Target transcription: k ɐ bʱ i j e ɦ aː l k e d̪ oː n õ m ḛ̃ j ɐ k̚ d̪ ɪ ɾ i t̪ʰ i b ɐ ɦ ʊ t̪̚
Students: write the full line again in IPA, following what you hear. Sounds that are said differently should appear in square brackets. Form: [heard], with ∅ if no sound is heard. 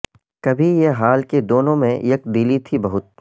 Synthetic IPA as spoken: k ɐ bʱ i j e ɦ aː l k e d̪ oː n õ m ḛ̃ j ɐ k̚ d̪ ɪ [l] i t̪ʰ i b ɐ ɦ ʊ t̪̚